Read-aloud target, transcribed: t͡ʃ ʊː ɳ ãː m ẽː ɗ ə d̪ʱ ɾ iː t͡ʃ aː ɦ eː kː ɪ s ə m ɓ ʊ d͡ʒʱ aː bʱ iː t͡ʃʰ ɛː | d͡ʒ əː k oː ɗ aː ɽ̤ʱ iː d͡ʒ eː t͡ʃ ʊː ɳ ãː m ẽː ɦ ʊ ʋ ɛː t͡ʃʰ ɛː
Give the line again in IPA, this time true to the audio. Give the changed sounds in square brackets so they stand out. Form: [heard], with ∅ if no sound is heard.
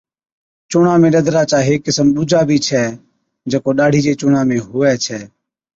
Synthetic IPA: t͡ʃ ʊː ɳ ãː m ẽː ɗ ə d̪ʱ ɾ [aː] t͡ʃ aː ɦ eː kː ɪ s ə m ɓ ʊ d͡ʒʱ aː bʱ iː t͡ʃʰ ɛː | d͡ʒ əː k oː ɗ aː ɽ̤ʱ iː d͡ʒ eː t͡ʃ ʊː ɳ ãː m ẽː ɦ ʊ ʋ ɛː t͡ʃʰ ɛː